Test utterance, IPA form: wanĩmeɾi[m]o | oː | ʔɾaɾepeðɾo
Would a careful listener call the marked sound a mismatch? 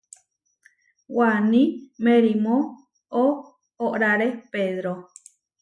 no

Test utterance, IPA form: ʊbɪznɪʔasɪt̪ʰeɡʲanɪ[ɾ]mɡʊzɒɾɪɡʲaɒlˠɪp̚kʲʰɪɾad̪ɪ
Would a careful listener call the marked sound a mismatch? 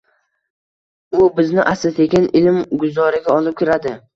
yes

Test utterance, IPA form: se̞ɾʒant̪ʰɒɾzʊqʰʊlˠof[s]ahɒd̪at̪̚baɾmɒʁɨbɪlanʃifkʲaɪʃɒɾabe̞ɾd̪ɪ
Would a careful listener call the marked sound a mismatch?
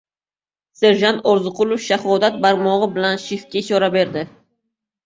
yes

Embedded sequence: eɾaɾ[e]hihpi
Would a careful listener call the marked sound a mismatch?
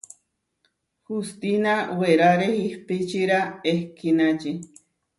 no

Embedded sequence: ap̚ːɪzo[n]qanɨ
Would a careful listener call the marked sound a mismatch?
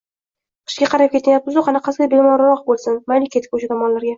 yes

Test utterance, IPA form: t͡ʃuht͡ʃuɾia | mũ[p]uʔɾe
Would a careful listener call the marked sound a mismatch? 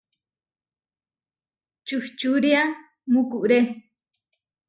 yes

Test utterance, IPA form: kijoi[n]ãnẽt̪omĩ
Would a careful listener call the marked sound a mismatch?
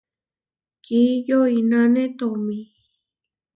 no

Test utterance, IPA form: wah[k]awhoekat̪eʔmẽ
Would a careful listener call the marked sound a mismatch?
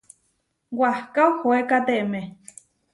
no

